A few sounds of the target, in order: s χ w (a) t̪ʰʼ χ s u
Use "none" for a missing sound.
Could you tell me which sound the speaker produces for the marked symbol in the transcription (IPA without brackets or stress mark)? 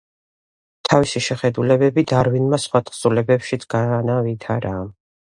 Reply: a